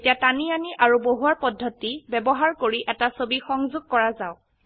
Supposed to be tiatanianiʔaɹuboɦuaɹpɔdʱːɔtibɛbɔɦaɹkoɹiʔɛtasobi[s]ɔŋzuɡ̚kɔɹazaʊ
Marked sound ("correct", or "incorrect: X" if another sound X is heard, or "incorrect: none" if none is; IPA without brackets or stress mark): incorrect: x